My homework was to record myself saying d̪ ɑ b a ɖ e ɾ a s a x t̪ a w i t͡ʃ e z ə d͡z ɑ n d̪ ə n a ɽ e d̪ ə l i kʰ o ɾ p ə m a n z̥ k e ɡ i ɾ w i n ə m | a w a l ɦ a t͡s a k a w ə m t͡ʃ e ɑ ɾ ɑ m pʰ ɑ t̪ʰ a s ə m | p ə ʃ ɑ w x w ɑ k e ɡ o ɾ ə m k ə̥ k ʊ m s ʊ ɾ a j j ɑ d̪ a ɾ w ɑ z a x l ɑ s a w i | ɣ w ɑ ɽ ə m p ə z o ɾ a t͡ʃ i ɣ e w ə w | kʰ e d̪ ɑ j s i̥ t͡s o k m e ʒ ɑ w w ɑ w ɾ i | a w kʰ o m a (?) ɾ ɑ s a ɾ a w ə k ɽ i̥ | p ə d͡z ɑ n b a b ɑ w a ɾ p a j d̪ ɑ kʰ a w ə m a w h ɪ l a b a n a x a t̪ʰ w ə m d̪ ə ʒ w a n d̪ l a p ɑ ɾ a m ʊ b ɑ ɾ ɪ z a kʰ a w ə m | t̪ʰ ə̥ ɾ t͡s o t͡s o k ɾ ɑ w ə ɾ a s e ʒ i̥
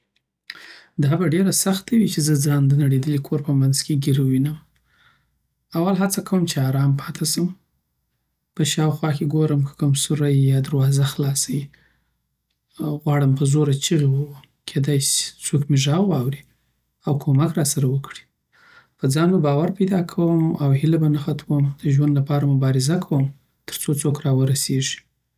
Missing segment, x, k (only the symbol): k